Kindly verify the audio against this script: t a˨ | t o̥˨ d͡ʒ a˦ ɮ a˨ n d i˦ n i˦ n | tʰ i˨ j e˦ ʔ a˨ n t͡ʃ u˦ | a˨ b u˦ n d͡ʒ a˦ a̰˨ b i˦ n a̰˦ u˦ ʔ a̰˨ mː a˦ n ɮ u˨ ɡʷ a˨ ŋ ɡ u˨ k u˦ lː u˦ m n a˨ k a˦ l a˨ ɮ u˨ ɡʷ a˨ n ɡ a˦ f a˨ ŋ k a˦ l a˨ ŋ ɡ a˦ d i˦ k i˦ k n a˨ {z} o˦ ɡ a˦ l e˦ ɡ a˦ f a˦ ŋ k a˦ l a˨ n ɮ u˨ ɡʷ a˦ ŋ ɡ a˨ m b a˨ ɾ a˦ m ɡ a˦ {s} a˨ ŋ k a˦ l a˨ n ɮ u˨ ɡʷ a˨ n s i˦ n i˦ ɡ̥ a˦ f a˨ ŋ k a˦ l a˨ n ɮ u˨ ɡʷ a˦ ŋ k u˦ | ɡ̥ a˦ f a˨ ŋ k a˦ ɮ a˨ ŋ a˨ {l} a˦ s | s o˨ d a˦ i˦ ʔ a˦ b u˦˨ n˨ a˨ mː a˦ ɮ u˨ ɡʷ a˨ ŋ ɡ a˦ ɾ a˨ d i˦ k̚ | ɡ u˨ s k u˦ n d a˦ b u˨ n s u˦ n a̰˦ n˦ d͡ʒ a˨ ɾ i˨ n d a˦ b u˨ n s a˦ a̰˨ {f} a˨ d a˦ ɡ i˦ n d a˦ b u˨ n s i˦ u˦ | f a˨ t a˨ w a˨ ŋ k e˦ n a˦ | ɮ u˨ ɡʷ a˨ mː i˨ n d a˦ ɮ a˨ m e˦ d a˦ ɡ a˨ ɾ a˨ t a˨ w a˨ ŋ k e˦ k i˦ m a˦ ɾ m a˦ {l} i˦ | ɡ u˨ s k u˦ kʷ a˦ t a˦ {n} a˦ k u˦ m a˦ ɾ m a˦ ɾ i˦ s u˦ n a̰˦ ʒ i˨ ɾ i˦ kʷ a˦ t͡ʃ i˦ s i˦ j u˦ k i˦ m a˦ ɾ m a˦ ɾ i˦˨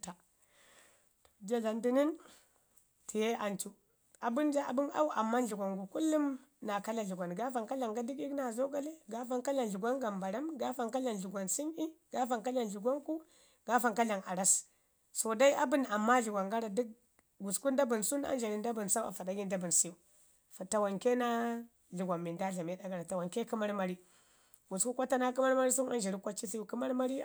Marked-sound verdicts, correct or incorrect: correct, incorrect: f, incorrect: ɾ, correct, incorrect: ɾ, correct

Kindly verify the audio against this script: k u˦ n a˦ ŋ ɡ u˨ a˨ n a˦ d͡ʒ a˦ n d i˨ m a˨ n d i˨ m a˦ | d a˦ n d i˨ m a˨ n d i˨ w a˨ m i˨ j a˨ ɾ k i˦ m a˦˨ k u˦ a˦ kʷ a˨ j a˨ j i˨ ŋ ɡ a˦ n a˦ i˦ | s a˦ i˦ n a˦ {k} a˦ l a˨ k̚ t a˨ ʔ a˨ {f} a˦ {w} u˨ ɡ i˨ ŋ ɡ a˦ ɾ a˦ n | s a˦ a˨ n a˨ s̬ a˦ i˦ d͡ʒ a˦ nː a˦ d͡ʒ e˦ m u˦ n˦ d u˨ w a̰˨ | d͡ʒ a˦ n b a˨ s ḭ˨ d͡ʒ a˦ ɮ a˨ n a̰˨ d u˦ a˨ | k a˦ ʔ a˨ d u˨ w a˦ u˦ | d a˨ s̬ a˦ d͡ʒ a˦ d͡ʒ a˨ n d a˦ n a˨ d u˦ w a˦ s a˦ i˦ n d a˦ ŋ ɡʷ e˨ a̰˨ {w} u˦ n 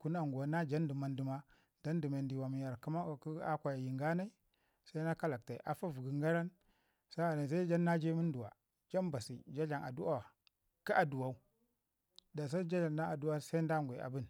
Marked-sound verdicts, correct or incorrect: correct, correct, incorrect: v, incorrect: b

